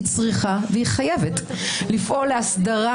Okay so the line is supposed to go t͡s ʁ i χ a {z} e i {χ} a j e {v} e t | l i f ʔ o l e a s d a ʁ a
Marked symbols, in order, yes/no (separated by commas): no, yes, yes